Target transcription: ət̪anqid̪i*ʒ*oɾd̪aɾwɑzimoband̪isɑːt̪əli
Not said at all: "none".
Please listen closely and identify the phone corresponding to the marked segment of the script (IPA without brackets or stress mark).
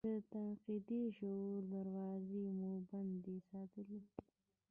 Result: ʃ